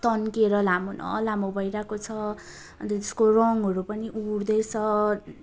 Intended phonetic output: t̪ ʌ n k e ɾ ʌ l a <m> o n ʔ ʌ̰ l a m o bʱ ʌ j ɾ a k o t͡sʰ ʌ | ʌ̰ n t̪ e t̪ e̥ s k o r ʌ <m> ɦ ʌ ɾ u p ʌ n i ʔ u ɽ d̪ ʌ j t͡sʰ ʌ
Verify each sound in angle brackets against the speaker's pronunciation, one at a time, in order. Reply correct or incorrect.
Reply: correct, incorrect

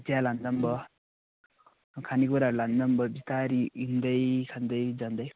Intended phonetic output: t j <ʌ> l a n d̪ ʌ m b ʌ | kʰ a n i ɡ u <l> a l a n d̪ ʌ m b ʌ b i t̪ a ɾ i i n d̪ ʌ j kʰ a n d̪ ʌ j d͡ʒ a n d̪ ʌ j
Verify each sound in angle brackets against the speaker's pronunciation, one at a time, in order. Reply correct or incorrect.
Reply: incorrect, incorrect

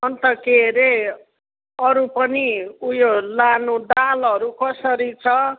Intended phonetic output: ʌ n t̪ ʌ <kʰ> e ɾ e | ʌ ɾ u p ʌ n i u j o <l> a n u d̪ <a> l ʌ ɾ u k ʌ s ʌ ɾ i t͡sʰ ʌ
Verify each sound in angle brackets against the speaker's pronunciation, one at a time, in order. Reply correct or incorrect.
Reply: incorrect, correct, correct

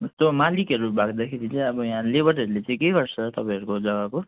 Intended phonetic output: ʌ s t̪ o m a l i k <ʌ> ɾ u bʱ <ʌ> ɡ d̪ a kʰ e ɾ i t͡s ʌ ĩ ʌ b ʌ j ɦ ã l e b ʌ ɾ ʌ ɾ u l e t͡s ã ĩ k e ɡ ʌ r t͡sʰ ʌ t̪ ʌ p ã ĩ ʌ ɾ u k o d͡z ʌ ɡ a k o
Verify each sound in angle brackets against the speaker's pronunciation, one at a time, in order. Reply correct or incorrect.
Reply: correct, incorrect

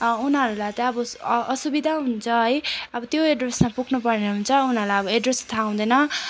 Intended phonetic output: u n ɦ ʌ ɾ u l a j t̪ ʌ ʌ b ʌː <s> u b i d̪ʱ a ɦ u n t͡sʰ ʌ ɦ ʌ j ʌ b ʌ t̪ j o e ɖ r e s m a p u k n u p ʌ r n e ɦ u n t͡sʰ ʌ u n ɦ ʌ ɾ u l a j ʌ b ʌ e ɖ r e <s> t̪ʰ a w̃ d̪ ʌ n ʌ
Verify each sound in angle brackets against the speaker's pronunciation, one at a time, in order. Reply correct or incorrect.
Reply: correct, correct

